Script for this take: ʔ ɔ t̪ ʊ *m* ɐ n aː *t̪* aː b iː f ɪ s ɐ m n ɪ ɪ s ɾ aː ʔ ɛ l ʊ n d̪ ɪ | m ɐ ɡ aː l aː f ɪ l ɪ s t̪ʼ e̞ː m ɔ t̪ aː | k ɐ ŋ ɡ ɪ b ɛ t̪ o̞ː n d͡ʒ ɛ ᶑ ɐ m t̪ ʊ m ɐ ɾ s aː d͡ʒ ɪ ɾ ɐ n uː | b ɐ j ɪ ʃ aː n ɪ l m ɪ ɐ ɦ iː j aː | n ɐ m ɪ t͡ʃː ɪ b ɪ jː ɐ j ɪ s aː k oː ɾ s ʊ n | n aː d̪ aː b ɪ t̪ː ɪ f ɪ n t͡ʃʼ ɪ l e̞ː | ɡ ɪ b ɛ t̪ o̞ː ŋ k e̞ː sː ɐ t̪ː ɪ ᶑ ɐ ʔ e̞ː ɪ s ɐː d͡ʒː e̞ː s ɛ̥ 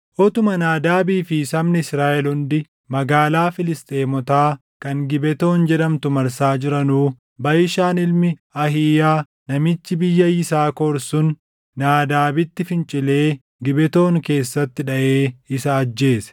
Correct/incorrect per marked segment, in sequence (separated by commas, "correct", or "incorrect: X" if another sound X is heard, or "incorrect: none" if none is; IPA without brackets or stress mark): correct, incorrect: d̪